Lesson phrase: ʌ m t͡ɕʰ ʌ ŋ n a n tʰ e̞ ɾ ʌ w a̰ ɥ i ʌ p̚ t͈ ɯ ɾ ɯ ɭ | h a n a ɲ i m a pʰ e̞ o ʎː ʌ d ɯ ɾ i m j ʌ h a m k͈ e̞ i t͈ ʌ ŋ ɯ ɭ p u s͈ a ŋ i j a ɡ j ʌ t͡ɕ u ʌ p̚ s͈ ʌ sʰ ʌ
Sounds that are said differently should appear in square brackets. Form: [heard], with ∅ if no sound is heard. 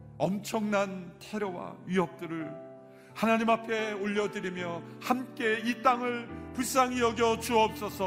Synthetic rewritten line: ʌ m t͡ɕʰ ʌ ŋ n a n tʰ e̞ ɾ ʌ w a̰ ɥ i ʌ p̚ t͈ ɯ ɾ ɯ ɭ | h a n a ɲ i m a pʰ e̞ o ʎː ʌ d ɯ ɾ i m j ʌ h a m k͈ e̞ i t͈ [a] ŋ ɯ ɭ p u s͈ a ŋ i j [ʌ] ɡ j ʌ t͡ɕ u ʌ p̚ s͈ ʌ sʰ ʌ